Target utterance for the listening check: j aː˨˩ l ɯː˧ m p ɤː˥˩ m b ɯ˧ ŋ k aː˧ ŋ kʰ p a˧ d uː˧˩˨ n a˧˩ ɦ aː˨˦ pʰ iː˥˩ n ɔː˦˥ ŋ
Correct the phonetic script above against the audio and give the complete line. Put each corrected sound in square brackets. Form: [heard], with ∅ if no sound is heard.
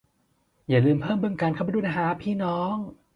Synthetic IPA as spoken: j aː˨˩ l ɯː˧ m [pʰ] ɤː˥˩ m b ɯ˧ ŋ k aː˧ [n] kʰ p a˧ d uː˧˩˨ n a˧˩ ɦ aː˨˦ pʰ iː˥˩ n ɔː˦˥ ŋ